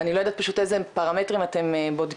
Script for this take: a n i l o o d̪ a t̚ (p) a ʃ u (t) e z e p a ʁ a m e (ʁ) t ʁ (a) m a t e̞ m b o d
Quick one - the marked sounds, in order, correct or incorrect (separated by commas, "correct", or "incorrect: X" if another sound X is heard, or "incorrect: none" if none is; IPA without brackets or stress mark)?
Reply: correct, correct, incorrect: none, incorrect: i